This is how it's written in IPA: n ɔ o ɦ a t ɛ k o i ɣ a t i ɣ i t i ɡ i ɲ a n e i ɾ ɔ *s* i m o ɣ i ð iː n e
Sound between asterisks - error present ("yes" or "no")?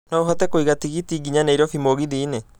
yes